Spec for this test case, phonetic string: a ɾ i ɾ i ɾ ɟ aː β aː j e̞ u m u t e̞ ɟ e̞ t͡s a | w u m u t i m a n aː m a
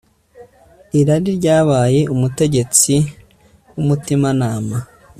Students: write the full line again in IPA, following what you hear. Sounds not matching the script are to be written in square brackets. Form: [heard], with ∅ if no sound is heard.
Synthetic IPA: [i] ɾ [a] ɾ i ɾ ɟ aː β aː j e̞ u m u t e̞ ɟ e̞ t͡s [i] | w u m u t i m a n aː m a